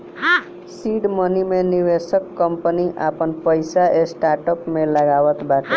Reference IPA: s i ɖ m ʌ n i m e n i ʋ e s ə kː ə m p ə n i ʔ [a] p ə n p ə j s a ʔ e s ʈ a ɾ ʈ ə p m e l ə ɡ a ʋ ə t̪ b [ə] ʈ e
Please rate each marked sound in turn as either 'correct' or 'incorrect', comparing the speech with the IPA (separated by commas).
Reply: correct, incorrect